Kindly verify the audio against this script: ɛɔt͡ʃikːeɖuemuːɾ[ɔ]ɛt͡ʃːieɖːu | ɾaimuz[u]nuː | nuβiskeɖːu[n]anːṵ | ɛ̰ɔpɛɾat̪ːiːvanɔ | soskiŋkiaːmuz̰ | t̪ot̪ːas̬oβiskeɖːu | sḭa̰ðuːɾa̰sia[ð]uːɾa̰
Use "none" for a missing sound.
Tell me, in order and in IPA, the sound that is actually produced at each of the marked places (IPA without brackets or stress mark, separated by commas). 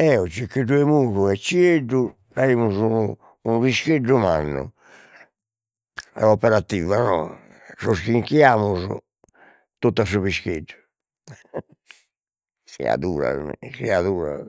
u, u, m, ð